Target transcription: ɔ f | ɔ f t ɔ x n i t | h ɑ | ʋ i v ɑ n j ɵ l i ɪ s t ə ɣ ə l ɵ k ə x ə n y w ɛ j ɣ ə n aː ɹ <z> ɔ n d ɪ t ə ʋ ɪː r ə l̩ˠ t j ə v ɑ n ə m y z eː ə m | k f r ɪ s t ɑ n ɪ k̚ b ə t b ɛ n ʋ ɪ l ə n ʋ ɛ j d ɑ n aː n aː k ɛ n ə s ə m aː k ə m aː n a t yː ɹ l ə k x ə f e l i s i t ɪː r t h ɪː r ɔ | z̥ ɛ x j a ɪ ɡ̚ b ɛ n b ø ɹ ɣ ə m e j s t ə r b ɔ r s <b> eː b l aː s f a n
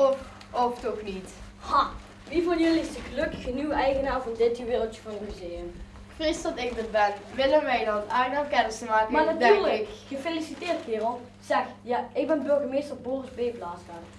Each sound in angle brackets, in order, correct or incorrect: incorrect: v, correct

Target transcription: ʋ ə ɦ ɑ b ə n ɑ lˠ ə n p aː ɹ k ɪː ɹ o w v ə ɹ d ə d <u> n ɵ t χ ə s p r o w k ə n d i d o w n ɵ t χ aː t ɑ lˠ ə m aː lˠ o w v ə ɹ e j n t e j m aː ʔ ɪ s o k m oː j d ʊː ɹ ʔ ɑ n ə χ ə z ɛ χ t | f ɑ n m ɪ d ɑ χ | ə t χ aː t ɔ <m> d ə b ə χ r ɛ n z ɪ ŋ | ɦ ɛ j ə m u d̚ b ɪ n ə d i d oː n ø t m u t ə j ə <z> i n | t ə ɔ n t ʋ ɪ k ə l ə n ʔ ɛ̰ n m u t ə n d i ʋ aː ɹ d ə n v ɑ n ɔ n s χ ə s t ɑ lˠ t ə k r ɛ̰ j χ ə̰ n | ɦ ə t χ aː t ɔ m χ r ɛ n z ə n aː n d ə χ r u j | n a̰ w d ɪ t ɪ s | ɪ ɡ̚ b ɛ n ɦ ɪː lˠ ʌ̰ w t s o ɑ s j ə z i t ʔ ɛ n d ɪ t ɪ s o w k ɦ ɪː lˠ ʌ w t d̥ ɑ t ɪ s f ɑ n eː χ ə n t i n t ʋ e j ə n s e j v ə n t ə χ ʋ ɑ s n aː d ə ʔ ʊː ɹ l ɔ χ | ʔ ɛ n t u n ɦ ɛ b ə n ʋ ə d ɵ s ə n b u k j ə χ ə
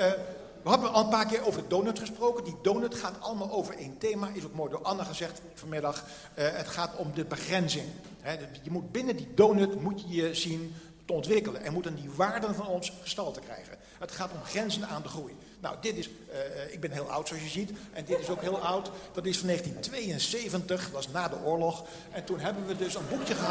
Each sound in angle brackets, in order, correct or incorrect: incorrect: o, correct, correct

